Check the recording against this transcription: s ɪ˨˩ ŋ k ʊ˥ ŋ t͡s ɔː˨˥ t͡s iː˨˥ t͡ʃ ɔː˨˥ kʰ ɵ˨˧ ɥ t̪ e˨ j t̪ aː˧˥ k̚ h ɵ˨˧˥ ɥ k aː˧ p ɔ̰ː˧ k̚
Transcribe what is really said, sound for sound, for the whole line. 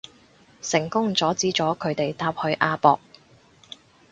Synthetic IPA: s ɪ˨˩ ŋ k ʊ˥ ŋ t͡s ɔː˨˥ t͡s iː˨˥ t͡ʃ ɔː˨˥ kʰ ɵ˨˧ ɥ t̪ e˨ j t̪ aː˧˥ p̚ h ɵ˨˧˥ ɥ ʔ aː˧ p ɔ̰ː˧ k̚

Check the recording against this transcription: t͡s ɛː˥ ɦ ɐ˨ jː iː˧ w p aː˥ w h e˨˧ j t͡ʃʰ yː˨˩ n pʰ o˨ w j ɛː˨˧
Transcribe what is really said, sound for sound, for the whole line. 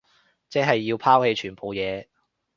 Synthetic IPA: t͡s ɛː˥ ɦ ɐ˨ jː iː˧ w pʰ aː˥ w h e˨˧ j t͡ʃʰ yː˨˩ n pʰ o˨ w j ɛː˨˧

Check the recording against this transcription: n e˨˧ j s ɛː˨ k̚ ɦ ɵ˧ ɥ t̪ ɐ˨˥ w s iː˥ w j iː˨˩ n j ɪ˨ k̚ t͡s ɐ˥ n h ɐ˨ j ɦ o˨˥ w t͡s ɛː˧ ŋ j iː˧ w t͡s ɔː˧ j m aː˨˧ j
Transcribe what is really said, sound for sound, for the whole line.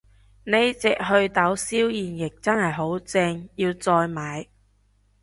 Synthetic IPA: n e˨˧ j t͡s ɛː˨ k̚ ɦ ɵ˧ ɥ t̪ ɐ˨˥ w s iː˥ w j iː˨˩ n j ɪ˨ k̚ t͡s ɐ˥ n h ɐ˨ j ɦ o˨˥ w t͡s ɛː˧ ŋ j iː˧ w t͡s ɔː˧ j m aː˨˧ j

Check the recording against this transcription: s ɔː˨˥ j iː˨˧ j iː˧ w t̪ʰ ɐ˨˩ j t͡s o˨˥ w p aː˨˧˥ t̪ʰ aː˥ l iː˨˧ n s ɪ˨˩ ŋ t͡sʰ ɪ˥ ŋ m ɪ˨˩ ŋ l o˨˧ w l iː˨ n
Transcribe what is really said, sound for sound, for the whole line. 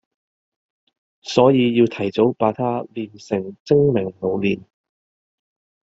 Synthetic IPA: s ɔː˨˥ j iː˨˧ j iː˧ w t̪ʰ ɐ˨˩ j t͡s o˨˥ w p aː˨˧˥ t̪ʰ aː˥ l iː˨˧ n s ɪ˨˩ ŋ t͡s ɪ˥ ŋ m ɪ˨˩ ŋ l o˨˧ w l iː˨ n

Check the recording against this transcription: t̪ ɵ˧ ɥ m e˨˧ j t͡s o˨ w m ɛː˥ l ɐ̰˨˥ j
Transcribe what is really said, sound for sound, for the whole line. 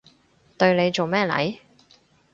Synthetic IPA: t̪ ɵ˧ ɥ n e˨˧ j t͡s o˨ w m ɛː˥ l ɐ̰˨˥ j

